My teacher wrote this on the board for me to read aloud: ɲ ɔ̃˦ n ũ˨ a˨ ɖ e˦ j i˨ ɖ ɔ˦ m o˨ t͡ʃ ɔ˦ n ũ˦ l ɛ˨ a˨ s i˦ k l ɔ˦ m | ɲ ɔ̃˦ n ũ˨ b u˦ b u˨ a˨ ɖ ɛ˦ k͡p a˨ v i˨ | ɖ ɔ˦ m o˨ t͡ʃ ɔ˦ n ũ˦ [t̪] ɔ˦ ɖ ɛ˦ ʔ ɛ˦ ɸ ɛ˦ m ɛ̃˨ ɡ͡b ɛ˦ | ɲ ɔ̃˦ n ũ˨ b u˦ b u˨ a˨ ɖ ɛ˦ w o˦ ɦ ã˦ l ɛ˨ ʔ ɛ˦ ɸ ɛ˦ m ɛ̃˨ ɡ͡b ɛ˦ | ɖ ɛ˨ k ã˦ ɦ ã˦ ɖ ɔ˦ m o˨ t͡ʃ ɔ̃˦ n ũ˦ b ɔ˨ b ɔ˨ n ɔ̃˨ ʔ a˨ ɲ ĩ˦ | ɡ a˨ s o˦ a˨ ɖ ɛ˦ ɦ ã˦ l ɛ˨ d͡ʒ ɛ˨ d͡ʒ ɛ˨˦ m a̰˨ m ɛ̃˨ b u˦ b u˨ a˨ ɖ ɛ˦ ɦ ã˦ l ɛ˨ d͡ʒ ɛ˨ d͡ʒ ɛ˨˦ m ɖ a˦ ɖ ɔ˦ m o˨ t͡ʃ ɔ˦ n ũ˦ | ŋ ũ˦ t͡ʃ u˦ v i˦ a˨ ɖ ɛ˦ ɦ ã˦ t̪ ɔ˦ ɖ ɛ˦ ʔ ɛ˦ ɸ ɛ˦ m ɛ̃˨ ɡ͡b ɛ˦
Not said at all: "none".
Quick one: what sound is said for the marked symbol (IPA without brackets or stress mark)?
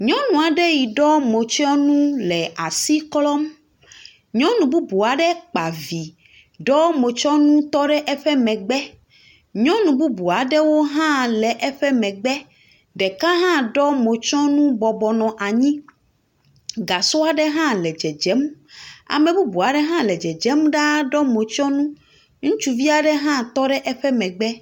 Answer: t̪